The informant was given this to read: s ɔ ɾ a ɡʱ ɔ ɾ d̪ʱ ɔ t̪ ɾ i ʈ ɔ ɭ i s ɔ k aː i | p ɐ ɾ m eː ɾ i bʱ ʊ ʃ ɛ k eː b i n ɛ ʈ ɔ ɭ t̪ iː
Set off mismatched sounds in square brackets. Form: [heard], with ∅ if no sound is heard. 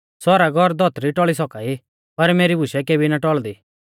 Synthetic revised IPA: s ɔ ɾ a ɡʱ ɔ ɾ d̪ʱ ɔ t̪ ɾ i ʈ ɔ ɭ i s ɔ k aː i | p ɐ ɾ m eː ɾ i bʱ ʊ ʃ ɛ k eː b i n [a] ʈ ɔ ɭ [d̪] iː